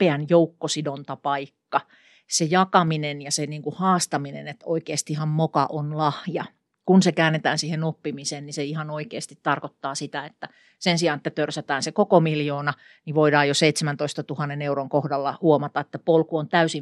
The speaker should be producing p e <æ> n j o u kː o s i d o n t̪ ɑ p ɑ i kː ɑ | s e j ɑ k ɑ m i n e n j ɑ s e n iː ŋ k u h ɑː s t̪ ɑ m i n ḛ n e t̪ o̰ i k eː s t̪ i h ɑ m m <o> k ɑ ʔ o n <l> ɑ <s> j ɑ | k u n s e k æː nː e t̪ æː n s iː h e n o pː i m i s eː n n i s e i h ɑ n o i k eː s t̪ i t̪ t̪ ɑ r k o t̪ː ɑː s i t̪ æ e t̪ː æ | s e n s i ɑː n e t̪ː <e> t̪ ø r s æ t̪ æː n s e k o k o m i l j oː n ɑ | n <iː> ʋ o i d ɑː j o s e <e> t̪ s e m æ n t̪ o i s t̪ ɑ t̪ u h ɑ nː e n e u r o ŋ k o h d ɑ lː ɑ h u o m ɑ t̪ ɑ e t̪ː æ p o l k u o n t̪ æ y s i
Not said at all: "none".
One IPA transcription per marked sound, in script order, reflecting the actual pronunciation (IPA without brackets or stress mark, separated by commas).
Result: æ, o, l, h, æ, i, i